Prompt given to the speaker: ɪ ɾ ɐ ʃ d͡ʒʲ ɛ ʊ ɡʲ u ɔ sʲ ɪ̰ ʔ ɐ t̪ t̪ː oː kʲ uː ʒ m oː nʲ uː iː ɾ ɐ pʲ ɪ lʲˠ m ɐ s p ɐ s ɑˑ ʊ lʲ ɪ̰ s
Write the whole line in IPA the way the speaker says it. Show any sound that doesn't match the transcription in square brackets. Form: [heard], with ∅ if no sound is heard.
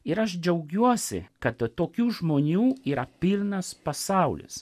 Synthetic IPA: ɪ ɾ ɐ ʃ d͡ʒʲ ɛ ʊ ɡʲ u ɔ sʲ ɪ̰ [k] ɐ t̪ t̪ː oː kʲ uː ʒ m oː nʲ uː iː ɾ ɐ pʲ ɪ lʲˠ [n] ɐ s p ɐ s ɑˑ ʊ lʲ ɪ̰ s